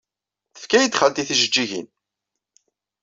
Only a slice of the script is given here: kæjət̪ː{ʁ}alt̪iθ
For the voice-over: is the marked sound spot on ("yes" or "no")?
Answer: no